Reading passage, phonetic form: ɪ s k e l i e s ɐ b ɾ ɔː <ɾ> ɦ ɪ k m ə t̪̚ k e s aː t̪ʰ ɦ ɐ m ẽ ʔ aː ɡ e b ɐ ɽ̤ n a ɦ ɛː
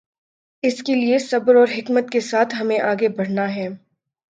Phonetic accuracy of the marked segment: correct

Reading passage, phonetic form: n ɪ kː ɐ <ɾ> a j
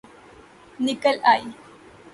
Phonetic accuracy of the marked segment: incorrect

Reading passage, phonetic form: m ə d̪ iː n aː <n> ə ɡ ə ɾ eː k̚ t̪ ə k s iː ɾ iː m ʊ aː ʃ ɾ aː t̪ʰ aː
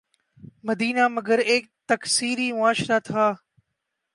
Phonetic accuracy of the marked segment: incorrect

